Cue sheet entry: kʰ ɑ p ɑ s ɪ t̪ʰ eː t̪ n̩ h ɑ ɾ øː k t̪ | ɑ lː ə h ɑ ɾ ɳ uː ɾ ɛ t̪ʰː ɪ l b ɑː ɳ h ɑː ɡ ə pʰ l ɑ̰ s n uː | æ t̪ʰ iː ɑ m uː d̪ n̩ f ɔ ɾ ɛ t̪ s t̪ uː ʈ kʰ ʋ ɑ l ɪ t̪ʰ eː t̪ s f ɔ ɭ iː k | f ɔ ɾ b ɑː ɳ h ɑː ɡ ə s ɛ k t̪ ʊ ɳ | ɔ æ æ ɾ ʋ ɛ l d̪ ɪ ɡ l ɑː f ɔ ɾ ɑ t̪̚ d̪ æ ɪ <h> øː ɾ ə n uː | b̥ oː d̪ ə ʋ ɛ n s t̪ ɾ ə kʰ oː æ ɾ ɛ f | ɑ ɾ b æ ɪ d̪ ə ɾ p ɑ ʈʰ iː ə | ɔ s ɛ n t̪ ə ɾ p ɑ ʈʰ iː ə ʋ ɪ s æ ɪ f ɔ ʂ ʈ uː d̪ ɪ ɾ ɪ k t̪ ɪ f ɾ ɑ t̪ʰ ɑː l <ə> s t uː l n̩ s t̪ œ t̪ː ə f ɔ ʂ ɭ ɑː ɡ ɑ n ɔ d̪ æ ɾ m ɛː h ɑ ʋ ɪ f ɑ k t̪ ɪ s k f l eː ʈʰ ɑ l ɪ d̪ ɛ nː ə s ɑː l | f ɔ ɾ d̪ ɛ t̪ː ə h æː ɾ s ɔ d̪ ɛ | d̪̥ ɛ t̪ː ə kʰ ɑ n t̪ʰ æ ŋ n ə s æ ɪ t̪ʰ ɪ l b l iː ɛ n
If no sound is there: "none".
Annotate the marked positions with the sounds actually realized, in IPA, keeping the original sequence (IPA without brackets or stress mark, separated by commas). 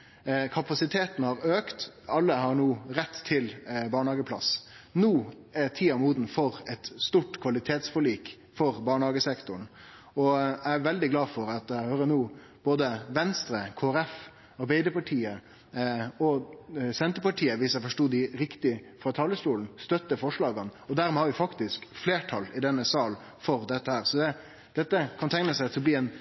h, ə